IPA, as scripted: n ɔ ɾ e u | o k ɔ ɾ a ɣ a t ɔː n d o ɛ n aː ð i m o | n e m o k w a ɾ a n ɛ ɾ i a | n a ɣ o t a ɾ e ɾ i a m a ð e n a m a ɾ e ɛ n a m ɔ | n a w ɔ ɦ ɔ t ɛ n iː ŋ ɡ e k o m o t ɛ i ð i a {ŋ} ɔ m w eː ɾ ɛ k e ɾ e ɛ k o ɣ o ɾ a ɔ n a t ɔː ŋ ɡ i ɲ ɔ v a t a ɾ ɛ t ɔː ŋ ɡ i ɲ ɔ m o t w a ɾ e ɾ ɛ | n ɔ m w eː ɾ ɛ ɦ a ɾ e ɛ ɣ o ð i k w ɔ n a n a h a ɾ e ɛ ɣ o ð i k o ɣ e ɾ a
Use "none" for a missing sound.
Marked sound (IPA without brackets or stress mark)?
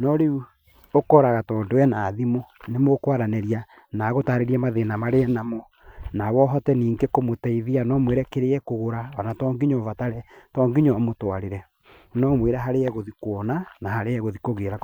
n